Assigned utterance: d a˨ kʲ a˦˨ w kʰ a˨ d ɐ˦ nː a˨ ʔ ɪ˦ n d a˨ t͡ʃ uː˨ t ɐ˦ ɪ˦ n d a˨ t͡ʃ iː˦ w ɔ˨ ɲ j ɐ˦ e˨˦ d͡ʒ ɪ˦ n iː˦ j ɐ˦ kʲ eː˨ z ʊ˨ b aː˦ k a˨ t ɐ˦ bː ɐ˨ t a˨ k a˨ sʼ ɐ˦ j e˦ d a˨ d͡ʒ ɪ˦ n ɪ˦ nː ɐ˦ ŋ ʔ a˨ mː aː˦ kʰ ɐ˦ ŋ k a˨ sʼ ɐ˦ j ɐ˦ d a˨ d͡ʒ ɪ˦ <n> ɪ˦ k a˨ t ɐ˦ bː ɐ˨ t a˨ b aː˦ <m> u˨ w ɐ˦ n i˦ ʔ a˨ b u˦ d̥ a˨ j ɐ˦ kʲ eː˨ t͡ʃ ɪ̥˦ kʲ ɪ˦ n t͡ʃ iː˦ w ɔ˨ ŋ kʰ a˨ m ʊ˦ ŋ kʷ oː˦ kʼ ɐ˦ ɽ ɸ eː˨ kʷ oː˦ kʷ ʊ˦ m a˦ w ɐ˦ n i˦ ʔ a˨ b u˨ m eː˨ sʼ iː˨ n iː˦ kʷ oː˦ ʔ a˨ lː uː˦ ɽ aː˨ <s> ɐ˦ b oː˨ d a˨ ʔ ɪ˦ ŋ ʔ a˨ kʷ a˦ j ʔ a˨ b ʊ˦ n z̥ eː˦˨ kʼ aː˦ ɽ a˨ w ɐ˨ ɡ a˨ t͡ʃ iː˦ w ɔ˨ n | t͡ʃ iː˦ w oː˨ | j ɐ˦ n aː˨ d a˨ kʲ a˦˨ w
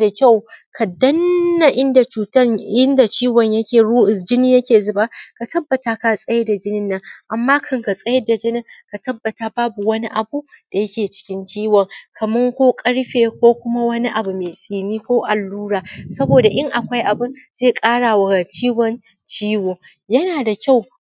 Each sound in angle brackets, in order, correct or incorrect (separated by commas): correct, incorrect, correct